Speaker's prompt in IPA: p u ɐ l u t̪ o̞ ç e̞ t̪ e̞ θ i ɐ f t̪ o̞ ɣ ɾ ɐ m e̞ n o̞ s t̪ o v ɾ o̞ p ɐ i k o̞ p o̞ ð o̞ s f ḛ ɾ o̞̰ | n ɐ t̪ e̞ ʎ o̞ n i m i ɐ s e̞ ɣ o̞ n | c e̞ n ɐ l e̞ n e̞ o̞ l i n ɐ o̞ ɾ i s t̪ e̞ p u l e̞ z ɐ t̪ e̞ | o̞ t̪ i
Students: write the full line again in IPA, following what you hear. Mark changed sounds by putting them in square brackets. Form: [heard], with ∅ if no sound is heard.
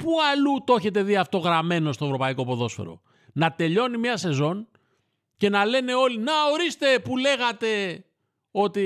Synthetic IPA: p u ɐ l u t̪ o̞ ç e̞ t̪ e̞ [ð] i ɐ f t̪ o̞ ɣ ɾ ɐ m e̞ n o̞ s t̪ o v ɾ o̞ p ɐ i k o̞ p o̞ ð o̞ s f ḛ ɾ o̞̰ | n ɐ t̪ e̞ ʎ o̞ n i m i ɐ s e̞ [z] o̞ n | c e̞ n ɐ l e̞ n e̞ o̞ l i n ɐ o̞ ɾ i s t̪ e̞ p u l e̞ [ɣ] ɐ t̪ e̞ | o̞ t̪ i